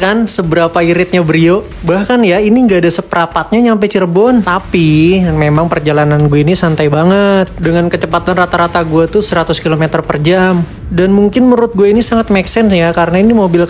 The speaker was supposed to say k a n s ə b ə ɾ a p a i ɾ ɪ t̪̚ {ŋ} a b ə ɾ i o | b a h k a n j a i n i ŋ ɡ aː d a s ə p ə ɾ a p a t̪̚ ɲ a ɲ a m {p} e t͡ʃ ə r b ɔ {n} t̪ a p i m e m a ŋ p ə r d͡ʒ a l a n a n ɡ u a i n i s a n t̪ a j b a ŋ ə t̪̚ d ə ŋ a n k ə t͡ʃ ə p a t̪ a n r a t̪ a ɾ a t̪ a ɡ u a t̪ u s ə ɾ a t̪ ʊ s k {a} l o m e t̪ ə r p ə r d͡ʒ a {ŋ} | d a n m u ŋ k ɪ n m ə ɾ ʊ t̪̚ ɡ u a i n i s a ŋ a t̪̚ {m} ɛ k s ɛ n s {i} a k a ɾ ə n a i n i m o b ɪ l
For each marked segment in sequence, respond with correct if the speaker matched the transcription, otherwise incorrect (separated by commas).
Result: incorrect, correct, correct, incorrect, incorrect, correct, incorrect